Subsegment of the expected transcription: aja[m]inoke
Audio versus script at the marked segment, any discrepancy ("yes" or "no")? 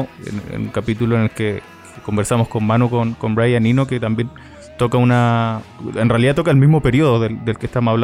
yes